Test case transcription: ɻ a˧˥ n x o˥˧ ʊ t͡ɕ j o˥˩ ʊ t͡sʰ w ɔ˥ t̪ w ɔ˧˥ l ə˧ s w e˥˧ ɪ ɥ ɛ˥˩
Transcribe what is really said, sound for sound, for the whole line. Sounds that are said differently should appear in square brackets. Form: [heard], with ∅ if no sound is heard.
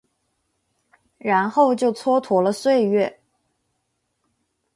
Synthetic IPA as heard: ɻ a˧˥ n x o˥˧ ʊ t͡ɕ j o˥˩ ʊ t͡sʰ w ɔ˥ [t̪ʰ] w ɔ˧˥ l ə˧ s w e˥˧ ɪ ɥ ɛ˥˩